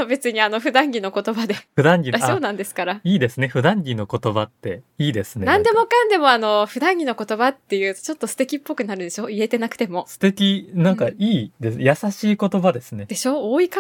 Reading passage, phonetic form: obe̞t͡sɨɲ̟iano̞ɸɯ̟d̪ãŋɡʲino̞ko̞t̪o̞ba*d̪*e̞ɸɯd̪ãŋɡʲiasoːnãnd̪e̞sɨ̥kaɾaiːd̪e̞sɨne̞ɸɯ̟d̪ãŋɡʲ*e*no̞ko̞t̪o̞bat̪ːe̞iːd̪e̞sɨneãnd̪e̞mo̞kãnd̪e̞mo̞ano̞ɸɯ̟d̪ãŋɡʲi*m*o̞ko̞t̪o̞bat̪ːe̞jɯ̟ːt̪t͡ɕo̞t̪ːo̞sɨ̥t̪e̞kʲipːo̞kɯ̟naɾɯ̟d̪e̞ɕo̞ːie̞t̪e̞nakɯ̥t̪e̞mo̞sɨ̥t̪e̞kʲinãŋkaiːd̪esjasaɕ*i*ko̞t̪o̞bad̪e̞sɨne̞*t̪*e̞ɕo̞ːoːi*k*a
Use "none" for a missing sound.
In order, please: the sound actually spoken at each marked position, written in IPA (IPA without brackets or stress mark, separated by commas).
d̪, i, n, iː, d̪, k